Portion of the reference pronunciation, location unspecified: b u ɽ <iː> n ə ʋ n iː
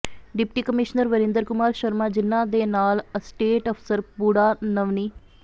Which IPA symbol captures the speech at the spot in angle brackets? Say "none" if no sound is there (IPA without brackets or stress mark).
aː